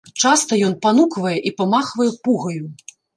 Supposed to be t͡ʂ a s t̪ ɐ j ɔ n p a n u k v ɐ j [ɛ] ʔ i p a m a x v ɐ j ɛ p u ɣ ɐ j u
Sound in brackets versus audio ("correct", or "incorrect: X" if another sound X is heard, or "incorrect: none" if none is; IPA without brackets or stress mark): correct